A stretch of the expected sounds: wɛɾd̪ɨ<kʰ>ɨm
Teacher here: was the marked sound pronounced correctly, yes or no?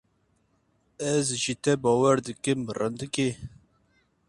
no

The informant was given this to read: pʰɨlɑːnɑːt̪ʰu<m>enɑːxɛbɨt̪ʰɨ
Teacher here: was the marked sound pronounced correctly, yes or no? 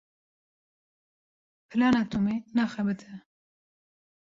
yes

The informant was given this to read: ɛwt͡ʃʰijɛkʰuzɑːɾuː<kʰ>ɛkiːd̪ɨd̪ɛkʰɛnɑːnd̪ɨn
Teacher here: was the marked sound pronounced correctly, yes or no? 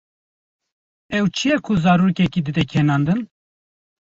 no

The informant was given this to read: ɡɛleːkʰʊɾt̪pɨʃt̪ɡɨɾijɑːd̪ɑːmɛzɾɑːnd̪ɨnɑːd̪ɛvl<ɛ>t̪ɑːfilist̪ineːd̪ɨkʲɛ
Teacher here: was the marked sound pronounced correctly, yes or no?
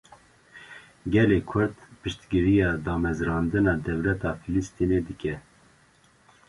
yes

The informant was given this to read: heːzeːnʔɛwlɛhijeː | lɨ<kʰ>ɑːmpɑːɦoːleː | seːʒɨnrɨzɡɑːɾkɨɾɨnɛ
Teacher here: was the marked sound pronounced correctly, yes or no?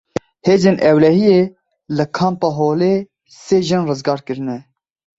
yes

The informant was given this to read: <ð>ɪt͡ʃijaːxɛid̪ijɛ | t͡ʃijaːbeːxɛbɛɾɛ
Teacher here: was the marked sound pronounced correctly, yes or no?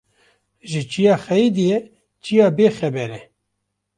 no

